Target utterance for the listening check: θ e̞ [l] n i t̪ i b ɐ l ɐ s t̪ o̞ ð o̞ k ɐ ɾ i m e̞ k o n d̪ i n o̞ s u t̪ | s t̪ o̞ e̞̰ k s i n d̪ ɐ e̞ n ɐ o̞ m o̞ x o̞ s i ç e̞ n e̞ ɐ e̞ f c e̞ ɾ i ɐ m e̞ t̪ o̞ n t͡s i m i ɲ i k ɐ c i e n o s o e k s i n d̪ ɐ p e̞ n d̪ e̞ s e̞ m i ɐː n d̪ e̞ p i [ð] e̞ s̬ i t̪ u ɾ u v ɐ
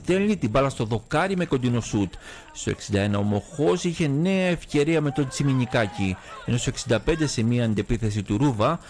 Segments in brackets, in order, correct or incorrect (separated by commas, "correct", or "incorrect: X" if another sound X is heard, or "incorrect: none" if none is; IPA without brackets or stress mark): correct, incorrect: θ